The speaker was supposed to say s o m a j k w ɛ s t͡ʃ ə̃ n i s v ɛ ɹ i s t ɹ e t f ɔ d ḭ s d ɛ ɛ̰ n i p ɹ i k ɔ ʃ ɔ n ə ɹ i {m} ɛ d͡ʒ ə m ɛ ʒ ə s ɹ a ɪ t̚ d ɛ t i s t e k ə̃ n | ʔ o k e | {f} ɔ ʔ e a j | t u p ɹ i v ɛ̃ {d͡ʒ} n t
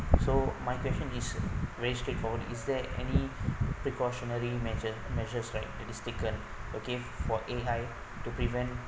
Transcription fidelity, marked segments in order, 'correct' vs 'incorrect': correct, correct, incorrect: none

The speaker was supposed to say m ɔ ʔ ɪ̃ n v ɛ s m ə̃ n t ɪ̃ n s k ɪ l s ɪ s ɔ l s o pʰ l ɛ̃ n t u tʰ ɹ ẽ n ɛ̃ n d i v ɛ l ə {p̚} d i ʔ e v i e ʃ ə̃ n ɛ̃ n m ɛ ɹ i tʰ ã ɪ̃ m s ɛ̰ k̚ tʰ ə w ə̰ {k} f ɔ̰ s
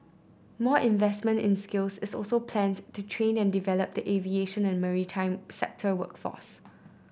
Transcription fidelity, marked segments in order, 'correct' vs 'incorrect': correct, correct

